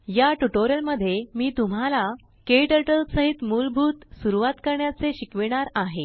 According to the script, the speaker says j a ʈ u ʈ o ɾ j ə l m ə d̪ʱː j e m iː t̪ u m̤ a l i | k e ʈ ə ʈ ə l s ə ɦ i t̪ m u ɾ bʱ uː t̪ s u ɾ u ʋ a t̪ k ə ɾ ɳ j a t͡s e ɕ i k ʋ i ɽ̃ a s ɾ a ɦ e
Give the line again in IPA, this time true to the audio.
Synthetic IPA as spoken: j a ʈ u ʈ o ɾ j ə l m ə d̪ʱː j e m iː t̪ u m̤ a l a | k e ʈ ə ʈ ə l s ə ɦ i t̪ m u l bʱ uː t̪ s u ɾ u ʋ a t̪ k ə ɾ ɳ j a t͡s e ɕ i k ʋ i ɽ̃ a ɾ a ɦ e